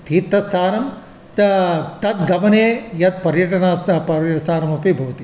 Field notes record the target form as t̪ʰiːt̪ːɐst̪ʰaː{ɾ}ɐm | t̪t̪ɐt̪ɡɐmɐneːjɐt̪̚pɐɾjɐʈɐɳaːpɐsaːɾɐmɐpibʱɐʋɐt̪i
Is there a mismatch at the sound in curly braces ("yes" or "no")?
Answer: no